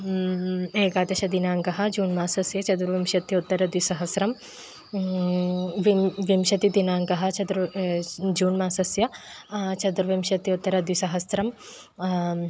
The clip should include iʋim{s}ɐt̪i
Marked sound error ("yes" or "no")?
yes